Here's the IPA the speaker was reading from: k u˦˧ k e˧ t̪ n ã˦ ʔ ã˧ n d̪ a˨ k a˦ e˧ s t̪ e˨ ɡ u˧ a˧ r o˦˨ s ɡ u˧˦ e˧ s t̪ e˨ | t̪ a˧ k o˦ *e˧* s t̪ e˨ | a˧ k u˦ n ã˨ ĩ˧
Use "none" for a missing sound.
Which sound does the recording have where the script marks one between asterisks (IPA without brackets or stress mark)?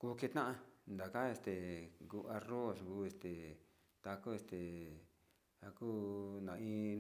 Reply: e˧